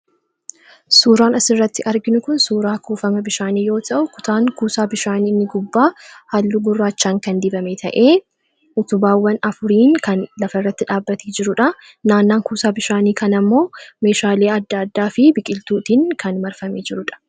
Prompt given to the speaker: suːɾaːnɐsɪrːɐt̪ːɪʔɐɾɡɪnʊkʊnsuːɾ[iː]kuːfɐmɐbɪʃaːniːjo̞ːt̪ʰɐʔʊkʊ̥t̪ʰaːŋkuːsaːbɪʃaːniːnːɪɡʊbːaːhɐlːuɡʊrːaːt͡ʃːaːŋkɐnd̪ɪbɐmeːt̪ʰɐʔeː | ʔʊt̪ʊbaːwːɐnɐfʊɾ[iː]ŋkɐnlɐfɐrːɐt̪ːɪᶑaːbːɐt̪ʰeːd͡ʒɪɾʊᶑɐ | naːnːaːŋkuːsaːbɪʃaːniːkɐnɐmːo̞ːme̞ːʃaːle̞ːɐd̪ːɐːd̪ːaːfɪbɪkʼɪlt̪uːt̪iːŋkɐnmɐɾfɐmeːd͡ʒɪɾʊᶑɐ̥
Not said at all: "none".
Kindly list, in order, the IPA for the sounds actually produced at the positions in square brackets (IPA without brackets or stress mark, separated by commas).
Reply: aː, iː